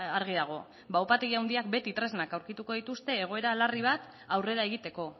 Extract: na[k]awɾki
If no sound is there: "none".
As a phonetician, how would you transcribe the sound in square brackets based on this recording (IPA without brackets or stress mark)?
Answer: k